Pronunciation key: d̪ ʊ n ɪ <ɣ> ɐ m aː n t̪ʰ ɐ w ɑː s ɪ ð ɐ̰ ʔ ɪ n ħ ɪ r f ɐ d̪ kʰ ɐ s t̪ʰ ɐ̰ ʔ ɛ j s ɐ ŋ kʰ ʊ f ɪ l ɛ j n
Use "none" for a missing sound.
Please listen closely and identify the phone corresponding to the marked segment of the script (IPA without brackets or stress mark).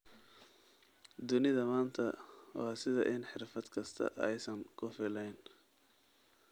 ð